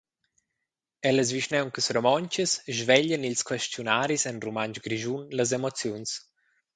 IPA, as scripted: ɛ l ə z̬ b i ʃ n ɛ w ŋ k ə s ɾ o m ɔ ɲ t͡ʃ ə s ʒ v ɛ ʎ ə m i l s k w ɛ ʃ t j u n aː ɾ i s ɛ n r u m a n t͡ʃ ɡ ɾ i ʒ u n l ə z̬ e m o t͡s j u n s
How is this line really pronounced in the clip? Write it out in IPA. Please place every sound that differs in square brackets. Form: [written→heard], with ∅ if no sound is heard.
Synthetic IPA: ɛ l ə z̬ [b→v] i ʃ n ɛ w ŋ k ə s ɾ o m ɔ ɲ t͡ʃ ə s ʒ v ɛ ʎ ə [m→n] i l s k w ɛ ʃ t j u n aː ɾ i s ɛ n r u m a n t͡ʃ ɡ ɾ i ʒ u n l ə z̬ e m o t͡s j u n s